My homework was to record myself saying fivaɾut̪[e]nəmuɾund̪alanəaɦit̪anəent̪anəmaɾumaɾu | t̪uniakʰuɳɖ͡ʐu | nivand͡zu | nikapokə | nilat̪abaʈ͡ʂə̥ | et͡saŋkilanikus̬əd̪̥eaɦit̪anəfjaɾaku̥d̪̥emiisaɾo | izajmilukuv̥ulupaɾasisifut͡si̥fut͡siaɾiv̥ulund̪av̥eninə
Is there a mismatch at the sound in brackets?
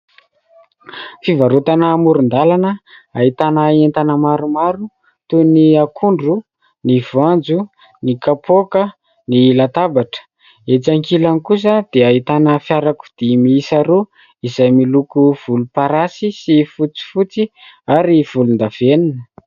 yes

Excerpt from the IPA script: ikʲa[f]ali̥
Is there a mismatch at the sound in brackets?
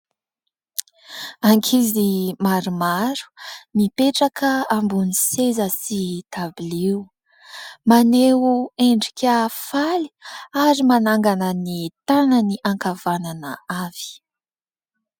no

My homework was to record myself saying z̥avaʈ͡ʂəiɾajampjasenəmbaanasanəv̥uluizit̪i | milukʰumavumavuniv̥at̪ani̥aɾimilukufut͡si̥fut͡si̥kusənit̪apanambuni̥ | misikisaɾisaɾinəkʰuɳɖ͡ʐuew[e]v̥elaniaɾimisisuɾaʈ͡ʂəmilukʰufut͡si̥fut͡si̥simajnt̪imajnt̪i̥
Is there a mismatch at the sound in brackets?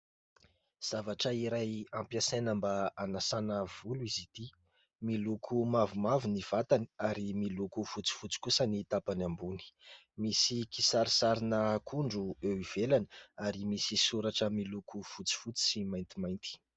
yes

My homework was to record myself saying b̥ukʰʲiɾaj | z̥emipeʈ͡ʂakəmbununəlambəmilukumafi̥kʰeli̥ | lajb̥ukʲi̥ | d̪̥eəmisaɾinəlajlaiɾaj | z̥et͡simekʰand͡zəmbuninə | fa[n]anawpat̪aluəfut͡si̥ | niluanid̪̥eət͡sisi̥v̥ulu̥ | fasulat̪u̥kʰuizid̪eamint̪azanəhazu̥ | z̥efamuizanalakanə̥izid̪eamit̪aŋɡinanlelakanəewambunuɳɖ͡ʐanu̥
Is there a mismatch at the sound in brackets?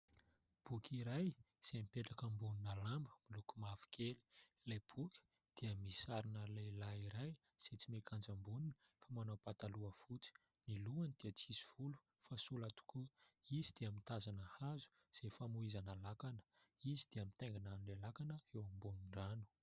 yes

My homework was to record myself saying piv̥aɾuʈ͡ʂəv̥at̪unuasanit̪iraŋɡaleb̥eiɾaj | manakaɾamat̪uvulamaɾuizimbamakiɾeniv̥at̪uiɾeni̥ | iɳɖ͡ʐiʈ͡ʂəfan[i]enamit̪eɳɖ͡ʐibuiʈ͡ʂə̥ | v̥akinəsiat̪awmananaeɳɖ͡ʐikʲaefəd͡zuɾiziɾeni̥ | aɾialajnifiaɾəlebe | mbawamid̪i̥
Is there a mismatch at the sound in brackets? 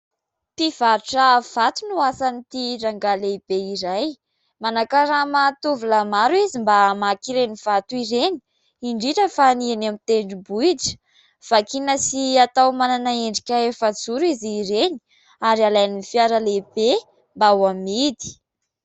no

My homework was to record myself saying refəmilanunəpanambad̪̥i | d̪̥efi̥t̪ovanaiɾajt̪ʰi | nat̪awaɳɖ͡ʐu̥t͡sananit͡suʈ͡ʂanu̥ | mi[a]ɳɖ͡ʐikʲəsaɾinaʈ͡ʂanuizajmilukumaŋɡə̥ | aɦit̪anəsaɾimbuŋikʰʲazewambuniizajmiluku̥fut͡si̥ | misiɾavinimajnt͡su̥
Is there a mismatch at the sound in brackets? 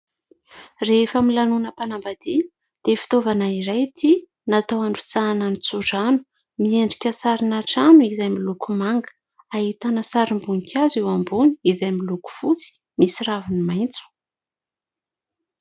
yes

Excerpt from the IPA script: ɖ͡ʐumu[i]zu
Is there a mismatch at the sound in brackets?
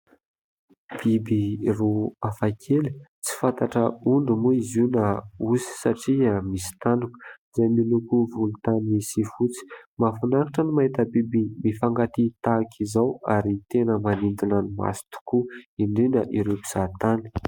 no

